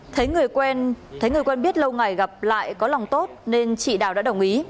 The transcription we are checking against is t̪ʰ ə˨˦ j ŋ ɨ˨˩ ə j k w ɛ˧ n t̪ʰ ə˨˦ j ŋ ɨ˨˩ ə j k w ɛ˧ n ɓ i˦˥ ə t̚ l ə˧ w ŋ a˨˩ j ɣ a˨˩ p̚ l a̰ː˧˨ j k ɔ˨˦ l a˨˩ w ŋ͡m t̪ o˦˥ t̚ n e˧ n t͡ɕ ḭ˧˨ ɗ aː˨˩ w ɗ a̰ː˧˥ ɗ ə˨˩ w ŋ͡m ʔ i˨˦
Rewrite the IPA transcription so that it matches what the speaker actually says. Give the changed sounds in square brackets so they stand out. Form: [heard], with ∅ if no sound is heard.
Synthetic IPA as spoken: t̪ʰ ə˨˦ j ŋ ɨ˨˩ ə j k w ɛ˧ n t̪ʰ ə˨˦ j ŋ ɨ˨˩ ə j k w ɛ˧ n ɓ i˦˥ ə t̚ l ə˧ w ŋ a˨˩ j ɣ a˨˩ p̚ l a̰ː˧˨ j k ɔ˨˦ l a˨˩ w ŋ͡m t̪ o˦˥ t̚ n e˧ n t͡ɕ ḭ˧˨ ɗ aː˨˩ w ɗ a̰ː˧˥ ɗ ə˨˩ w ŋ͡m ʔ i˨˦